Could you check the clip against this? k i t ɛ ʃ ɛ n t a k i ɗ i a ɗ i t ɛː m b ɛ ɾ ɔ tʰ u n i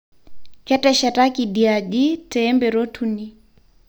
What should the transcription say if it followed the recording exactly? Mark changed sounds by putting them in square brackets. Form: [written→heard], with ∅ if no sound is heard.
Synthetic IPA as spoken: k [i→ɛ] t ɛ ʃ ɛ [n→∅] t a k i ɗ i a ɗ i t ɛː m b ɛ ɾ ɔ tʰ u n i

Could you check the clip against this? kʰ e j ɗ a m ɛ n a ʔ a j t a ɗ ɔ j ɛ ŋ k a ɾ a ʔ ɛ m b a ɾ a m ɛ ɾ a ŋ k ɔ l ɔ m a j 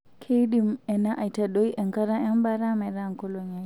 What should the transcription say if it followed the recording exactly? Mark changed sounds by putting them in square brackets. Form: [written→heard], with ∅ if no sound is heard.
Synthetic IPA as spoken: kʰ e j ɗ [a→i] m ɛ n a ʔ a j t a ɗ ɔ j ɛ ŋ k a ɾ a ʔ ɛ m b a ɾ a m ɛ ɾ a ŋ k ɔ l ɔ [m→ɲ] a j

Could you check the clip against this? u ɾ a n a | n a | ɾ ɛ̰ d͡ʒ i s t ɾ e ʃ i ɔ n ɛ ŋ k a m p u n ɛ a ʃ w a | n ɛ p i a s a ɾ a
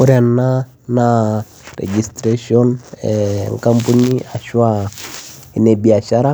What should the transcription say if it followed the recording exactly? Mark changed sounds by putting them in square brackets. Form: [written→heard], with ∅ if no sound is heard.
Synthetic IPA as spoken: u ɾ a n a | n a | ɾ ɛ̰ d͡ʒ i s t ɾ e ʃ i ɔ n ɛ ŋ k a m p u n [ɛ→i] a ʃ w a | n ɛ [p→b] i a [s→ʃ] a ɾ a

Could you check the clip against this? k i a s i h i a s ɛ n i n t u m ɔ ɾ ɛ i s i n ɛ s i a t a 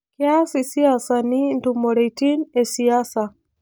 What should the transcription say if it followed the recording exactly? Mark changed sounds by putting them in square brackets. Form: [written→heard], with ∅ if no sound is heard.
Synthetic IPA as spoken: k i a s i [h→s] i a s [ɛ→a] n i n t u m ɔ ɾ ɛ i [s→t] i n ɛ s i a [t→s] a

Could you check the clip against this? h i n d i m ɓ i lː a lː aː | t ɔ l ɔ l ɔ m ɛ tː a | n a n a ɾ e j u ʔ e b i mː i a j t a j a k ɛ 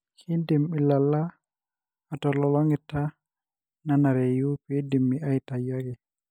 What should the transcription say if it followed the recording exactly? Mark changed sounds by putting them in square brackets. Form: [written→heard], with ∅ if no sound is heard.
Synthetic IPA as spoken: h i n d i m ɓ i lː a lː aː | t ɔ l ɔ l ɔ [m→ŋ] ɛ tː a | n a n a ɾ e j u [ʔ→p] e [b→d] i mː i a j t a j a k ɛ

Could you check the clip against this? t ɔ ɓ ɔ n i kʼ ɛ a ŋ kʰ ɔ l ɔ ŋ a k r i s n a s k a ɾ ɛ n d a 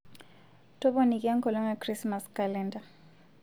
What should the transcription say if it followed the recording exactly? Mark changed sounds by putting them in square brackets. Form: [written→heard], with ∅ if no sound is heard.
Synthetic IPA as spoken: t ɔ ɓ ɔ n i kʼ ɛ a ŋ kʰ ɔ l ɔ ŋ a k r i s [n→m] a s k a [ɾ→l] ɛ n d a

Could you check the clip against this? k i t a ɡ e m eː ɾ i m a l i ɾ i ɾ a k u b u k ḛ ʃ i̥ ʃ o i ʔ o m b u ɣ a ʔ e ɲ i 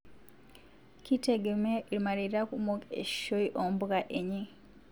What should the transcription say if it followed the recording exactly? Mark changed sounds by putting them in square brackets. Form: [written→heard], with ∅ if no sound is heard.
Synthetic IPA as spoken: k i t [a→e] ɡ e m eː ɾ i m a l i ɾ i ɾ a k u [b→m] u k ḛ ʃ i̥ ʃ o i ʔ o m b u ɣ a ʔ e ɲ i

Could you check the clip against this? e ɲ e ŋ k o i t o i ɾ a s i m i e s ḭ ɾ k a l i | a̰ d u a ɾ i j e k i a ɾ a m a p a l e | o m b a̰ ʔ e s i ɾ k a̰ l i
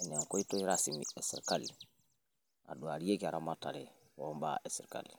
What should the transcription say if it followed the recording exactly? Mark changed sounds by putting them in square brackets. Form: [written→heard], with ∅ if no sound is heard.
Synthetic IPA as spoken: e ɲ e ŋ k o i t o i ɾ a s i m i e s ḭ ɾ k a l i | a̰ d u a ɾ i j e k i a ɾ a m a [p→t] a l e | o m b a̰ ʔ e s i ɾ k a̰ l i

